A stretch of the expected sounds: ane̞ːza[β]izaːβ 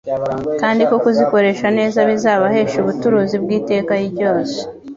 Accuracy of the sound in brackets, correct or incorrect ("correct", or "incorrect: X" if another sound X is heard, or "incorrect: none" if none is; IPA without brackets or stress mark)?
correct